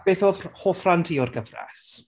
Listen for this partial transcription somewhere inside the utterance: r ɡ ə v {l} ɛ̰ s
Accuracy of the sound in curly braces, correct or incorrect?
incorrect